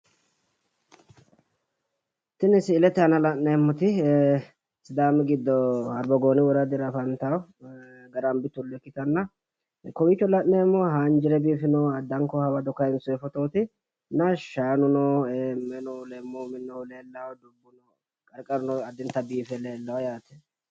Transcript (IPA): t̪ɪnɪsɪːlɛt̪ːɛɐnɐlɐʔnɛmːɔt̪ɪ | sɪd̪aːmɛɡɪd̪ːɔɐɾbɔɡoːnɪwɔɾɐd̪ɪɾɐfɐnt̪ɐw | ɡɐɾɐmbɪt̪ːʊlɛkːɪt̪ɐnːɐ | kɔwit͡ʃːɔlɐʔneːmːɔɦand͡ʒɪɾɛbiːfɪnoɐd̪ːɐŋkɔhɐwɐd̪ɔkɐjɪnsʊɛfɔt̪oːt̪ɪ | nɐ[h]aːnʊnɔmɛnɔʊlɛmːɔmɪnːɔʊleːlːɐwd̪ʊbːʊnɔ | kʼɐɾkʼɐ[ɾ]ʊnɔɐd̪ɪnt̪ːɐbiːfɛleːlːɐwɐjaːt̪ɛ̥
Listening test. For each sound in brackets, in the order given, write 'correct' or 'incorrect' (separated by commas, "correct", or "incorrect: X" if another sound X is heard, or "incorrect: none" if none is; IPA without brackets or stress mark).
incorrect: ʃ, correct